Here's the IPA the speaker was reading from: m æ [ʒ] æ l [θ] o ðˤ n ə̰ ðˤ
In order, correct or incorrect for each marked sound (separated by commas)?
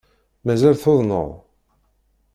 incorrect, correct